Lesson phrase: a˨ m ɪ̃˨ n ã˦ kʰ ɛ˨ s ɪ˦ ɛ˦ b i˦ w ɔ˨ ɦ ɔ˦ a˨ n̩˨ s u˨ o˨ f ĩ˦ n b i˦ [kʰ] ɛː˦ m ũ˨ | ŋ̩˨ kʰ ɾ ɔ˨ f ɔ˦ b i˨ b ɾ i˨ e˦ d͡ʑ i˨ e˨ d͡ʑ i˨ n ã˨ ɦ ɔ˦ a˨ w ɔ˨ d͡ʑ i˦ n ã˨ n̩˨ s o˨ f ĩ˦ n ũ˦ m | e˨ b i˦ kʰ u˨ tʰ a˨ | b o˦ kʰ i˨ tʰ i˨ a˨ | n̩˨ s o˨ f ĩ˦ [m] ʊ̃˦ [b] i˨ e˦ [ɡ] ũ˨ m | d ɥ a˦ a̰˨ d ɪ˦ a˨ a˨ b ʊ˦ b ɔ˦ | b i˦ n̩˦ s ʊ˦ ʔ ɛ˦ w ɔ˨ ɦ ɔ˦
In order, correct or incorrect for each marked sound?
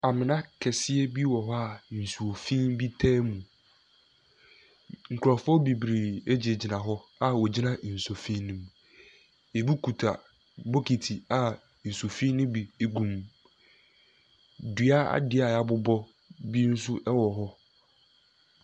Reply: incorrect: tʰ, incorrect: n, correct, correct

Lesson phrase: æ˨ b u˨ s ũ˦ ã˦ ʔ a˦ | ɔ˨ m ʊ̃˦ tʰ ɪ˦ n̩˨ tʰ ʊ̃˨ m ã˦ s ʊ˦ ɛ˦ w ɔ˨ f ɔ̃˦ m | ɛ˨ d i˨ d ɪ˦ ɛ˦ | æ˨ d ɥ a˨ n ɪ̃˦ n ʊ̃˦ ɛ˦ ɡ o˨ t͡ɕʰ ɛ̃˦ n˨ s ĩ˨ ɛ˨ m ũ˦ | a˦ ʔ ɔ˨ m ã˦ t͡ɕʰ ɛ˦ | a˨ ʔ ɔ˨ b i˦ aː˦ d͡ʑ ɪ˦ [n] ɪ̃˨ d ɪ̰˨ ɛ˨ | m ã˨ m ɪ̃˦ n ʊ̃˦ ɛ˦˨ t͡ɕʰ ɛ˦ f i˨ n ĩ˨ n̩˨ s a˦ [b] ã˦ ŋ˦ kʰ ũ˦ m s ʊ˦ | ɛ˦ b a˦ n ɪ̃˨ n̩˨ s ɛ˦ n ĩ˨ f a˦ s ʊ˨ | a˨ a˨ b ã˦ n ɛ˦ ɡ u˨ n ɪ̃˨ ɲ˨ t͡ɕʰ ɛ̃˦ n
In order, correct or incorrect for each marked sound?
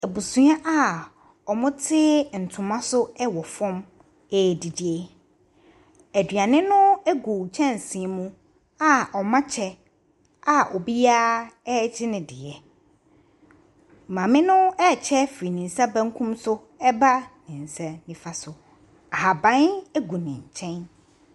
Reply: correct, correct

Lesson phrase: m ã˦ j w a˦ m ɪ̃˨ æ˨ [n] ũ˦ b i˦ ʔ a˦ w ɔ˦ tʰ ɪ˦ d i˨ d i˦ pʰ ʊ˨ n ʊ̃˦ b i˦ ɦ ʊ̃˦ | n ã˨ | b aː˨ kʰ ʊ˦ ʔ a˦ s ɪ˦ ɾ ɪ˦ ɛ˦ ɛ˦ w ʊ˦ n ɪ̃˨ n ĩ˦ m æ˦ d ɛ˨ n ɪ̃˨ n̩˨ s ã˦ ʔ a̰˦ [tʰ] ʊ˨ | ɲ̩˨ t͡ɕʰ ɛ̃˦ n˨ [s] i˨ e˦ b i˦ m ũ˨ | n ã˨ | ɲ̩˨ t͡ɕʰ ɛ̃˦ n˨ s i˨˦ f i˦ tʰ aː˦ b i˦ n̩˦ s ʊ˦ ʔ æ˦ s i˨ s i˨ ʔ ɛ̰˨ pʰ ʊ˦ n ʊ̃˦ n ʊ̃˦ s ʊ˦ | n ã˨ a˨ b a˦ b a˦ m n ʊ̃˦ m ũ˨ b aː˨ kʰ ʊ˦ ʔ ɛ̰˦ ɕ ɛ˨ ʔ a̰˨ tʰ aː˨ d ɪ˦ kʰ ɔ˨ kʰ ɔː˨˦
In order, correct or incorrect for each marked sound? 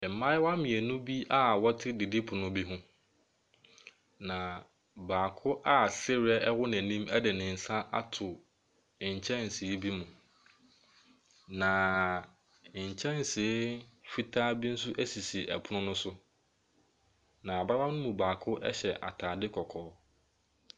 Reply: correct, correct, correct

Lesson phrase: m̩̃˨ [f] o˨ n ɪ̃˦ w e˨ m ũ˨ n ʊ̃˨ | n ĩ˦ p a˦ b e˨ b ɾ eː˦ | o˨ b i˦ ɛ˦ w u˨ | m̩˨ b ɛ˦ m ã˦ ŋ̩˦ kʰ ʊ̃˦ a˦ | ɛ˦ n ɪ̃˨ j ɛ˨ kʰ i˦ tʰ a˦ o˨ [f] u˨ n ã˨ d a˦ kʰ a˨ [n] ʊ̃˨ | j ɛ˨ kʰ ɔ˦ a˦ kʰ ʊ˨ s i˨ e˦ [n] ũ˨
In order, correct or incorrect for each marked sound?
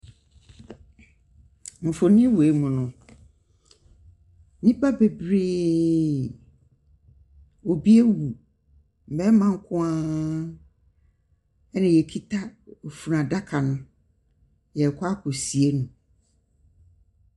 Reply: correct, correct, correct, correct

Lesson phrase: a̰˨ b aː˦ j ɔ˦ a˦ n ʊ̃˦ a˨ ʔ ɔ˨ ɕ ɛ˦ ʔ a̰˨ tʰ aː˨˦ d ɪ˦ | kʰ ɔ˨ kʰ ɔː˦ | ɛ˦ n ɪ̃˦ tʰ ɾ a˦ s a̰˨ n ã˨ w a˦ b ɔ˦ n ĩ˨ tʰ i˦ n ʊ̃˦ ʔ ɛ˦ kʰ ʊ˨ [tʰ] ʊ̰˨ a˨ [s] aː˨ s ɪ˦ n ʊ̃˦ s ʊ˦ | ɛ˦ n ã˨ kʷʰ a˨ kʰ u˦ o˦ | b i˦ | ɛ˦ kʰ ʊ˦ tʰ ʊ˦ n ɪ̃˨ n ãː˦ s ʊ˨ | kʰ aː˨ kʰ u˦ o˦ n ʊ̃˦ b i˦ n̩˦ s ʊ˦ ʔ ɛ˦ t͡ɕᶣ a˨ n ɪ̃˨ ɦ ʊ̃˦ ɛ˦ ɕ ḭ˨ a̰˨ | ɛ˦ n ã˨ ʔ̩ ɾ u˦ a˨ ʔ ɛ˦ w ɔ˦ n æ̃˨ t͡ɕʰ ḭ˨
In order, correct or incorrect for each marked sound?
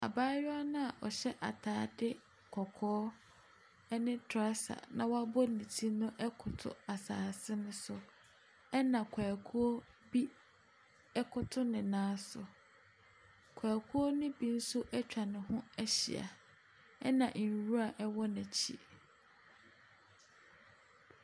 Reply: correct, correct

